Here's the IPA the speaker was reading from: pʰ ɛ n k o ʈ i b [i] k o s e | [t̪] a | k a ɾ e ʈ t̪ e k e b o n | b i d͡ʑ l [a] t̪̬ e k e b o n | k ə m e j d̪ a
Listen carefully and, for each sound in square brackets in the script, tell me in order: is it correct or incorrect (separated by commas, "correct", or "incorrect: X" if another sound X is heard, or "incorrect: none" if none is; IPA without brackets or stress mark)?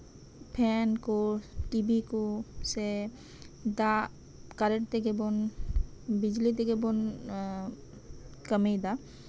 correct, incorrect: d̪, incorrect: i